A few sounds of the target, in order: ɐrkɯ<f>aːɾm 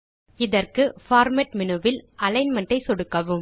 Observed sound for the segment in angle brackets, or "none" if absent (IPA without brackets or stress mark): f